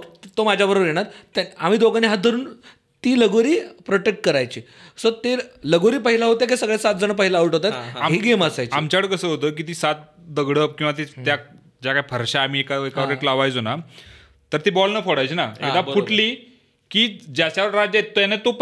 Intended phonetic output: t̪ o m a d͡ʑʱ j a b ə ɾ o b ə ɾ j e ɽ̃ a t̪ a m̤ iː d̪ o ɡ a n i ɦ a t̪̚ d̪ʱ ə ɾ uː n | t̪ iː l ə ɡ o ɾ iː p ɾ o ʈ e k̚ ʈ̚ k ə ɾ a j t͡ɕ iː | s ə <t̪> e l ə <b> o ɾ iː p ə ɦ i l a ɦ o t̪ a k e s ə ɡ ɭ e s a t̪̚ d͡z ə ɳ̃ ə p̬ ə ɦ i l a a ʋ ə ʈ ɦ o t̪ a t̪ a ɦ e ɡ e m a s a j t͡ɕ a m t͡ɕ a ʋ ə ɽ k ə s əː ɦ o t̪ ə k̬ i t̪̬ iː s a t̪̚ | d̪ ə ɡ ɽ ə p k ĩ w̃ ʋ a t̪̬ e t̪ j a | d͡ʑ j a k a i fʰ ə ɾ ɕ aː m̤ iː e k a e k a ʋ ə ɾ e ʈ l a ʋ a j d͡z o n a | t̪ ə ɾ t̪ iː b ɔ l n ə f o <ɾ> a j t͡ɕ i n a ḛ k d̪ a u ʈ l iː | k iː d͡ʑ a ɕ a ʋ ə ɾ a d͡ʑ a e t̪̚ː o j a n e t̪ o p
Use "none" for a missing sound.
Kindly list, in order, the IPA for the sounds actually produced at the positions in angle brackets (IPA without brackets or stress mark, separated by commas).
t̪, ɡ, ɽ